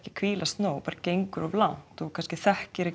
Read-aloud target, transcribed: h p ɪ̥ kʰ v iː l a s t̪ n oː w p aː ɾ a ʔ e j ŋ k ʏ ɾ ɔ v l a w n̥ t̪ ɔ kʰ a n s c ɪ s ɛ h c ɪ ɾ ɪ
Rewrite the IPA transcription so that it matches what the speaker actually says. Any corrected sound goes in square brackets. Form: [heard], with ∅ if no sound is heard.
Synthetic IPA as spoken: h [c] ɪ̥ kʰ v iː l a s t̪ n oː w p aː ɾ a [c] e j ŋ k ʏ ɾ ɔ v l a w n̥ t̪ ɔ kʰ a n s c ɪ [θ] ɛ h c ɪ ɾ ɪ